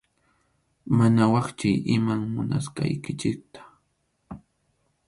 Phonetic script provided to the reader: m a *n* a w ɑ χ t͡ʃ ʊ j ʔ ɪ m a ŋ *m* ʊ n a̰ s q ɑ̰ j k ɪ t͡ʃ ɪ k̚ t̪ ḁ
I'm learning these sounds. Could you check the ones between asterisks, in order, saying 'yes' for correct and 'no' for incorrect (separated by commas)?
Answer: yes, yes